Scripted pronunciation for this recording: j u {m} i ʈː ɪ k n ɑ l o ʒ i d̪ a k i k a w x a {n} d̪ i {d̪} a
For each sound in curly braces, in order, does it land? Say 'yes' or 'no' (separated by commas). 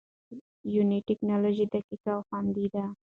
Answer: no, yes, yes